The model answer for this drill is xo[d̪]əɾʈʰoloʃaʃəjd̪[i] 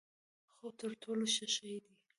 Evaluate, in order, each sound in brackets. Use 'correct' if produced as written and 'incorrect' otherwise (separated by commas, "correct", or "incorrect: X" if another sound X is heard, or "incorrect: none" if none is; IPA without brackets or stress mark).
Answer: incorrect: t̪, correct